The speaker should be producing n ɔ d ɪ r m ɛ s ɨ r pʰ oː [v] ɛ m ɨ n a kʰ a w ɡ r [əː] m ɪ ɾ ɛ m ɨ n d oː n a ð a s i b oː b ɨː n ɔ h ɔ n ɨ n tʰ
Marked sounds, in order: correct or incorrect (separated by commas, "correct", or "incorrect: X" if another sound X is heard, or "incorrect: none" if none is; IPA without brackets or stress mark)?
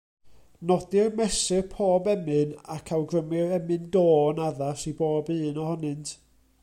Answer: incorrect: b, incorrect: ə